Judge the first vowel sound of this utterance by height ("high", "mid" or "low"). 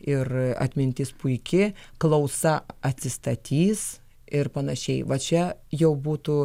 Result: high